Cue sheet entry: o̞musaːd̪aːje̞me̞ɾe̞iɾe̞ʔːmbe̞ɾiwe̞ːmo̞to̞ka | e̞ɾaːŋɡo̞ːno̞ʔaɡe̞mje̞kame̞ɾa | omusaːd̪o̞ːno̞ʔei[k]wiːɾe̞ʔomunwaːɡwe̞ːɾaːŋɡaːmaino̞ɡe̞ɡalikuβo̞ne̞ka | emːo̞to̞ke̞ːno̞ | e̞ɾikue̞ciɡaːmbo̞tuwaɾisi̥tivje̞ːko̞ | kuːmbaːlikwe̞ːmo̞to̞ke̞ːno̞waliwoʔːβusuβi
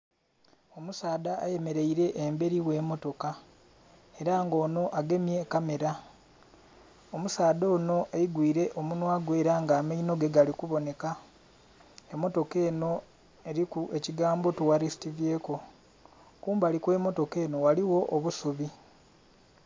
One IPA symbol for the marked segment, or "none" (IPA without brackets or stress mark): ɡ